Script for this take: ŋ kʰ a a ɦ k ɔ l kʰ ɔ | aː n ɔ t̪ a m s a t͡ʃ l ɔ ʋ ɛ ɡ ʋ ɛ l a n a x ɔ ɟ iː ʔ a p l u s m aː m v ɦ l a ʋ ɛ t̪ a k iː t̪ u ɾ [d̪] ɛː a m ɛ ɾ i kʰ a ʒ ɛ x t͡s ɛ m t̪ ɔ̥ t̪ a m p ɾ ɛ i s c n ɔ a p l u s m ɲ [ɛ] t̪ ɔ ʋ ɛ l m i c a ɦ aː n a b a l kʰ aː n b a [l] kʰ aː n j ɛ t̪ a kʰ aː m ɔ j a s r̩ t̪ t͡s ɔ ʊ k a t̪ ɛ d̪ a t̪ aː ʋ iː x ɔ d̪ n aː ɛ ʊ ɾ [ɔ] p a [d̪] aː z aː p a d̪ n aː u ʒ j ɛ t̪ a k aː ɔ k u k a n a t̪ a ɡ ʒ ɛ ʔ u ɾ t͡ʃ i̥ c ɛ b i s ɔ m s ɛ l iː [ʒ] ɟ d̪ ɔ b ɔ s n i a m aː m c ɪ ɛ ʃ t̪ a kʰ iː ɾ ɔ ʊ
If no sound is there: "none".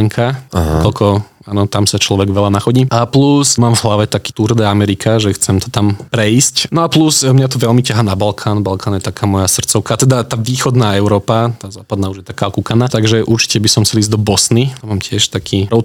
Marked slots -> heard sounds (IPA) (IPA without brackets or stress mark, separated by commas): d̪, a, l, ɔː, t̪, z